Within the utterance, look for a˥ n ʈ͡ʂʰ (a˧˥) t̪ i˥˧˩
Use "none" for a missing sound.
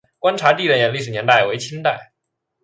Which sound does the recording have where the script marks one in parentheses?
a˧˥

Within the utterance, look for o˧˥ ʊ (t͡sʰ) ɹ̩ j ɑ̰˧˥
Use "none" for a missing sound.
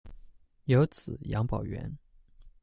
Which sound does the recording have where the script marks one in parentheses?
t͡sʰ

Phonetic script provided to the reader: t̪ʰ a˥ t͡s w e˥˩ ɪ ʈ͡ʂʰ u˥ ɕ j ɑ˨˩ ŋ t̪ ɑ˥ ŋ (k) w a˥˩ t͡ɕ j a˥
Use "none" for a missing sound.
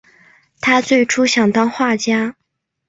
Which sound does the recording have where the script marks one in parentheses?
x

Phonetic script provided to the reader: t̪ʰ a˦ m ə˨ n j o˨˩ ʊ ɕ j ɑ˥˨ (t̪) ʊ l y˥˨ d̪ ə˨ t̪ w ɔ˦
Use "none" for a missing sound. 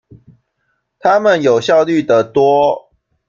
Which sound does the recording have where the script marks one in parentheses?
none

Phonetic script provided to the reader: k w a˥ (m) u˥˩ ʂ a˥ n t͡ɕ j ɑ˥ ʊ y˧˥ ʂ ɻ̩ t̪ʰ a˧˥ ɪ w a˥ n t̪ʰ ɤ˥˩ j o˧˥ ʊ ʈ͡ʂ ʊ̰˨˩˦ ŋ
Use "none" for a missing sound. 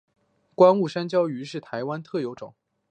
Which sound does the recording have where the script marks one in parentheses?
n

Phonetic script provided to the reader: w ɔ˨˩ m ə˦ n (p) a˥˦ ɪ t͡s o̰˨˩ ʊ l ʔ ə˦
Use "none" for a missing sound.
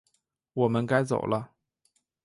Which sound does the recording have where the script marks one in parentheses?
k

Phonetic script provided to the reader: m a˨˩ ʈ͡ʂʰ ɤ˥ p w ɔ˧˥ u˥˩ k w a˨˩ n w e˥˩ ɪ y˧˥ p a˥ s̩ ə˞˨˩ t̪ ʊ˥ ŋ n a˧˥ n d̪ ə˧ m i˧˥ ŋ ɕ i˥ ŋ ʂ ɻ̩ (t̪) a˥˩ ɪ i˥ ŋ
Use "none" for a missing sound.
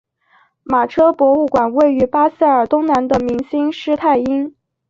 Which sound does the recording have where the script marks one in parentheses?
t̪ʰ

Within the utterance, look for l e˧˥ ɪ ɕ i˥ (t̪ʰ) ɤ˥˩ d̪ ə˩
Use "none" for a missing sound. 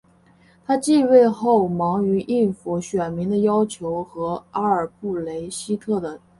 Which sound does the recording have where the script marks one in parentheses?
t̪ʰ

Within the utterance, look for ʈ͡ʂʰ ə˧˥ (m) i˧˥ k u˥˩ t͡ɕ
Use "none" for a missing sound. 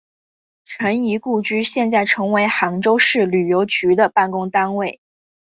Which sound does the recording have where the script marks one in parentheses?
n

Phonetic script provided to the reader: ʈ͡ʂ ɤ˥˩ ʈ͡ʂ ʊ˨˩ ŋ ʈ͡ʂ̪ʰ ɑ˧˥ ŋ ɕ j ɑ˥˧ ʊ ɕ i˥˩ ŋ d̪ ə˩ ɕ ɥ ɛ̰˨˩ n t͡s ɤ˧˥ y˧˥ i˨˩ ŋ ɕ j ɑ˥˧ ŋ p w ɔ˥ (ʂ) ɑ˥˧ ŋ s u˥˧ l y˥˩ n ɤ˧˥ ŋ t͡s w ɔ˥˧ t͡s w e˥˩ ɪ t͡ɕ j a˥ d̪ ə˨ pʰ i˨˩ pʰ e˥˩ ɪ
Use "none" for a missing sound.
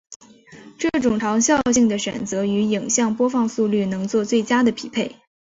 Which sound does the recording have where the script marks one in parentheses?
f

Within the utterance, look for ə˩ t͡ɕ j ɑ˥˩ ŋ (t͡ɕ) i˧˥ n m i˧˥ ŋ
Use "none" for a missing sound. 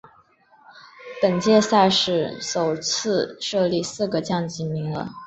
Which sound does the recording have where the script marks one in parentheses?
t͡ɕ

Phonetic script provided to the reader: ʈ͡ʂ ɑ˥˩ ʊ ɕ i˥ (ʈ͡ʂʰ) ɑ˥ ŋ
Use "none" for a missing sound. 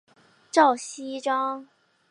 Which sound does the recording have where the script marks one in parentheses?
ʈ͡ʂ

